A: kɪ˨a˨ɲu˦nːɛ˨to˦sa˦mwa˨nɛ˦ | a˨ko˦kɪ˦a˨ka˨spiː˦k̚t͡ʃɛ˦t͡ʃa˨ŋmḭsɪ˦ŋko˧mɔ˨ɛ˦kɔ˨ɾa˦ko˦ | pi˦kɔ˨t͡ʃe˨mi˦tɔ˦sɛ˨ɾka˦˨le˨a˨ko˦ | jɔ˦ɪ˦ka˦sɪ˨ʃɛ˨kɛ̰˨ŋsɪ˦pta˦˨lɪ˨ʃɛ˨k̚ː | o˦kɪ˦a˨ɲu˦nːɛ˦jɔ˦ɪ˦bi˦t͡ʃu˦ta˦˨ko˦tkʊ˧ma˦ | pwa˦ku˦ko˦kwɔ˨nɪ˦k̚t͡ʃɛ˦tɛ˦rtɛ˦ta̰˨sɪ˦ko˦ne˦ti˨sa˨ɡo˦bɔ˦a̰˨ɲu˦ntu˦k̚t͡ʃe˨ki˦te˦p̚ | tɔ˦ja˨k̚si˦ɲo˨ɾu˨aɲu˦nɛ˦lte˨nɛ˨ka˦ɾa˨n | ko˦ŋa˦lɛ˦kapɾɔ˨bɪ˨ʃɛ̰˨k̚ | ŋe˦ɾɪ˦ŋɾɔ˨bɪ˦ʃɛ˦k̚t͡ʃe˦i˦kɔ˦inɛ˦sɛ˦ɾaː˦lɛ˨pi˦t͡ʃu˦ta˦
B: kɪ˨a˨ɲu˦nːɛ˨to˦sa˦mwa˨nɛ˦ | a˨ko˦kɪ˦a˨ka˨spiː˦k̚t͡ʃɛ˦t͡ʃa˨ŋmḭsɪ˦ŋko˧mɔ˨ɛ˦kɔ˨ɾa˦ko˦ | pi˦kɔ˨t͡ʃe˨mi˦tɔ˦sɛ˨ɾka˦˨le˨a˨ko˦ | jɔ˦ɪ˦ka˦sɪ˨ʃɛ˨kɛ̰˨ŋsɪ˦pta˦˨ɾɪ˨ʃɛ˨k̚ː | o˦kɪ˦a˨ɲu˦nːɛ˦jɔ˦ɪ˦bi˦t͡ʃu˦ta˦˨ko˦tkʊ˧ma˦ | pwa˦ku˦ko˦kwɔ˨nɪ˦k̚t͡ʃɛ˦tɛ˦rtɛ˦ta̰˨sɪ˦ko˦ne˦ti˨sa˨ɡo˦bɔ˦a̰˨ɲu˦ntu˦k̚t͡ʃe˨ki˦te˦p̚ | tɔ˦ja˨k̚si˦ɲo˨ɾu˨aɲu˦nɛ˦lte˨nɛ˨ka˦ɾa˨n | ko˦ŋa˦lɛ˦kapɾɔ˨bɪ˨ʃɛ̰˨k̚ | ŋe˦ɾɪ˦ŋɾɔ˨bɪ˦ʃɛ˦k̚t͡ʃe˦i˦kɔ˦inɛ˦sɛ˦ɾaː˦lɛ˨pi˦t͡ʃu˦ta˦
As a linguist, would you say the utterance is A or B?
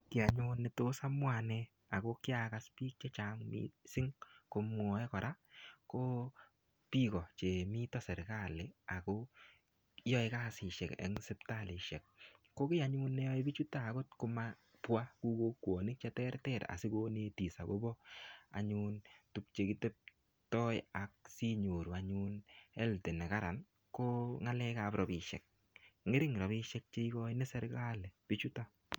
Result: A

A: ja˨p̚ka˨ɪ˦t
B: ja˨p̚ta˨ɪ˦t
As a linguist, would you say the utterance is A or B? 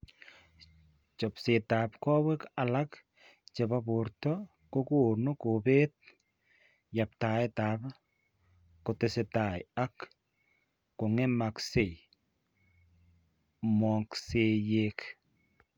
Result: B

